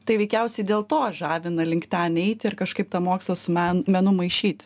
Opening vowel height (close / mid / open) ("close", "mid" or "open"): open